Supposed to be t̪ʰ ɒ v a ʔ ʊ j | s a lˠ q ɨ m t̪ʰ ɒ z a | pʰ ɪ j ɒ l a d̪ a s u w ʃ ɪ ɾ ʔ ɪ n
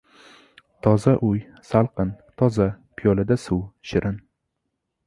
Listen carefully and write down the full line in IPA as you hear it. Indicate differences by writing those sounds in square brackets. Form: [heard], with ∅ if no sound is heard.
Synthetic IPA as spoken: t̪ʰ ɒ [z] a ʔ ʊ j | s a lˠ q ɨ [n] t̪ʰ ɒ z a | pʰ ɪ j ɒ l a d̪ a s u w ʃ ɪ ɾ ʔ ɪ n